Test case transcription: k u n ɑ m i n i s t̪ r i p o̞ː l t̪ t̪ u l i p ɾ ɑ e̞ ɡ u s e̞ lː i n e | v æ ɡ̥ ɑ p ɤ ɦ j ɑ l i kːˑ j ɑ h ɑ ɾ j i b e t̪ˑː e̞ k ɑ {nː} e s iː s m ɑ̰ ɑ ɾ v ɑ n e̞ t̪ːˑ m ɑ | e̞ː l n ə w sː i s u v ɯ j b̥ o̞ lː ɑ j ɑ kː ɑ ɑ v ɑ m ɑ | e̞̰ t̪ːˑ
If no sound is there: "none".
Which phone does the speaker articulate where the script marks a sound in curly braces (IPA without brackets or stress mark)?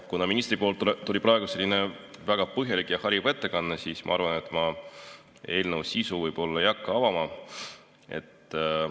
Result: nː